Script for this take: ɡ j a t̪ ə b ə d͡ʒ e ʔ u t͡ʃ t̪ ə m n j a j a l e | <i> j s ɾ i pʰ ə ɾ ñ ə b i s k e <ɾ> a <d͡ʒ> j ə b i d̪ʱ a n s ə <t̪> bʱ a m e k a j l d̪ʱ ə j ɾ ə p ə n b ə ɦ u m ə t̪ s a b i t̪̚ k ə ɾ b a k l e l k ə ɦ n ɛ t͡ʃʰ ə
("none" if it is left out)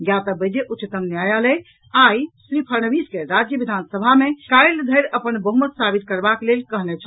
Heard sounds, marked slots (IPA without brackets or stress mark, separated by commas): a, ɾ, d͡ʒ, none